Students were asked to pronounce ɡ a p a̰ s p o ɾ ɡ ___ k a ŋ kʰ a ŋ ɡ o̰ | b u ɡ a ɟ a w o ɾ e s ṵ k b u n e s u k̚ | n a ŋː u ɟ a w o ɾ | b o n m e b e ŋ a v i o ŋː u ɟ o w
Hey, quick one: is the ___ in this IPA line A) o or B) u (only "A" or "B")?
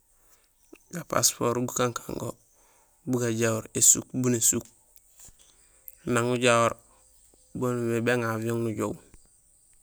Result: B